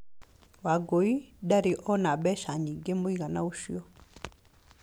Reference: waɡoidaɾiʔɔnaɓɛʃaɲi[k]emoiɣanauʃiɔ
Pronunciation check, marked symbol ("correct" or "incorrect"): incorrect